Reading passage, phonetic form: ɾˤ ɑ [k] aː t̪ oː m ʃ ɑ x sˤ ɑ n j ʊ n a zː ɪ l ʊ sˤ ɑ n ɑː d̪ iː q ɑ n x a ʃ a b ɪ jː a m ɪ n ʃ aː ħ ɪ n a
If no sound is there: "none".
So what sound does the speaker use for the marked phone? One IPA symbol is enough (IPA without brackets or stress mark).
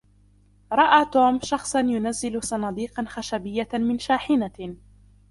ʔ